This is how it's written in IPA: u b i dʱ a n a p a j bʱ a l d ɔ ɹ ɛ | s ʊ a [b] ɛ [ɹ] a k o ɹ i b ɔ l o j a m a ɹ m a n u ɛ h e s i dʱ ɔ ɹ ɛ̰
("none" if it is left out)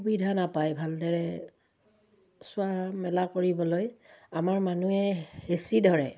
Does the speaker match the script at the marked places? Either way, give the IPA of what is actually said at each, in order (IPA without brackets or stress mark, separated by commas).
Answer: m, l